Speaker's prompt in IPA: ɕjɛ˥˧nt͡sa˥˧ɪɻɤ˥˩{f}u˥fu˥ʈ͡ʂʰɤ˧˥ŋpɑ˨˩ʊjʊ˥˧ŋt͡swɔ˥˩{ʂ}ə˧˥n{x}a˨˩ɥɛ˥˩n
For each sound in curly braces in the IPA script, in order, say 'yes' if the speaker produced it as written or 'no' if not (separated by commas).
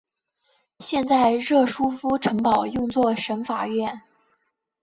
no, yes, no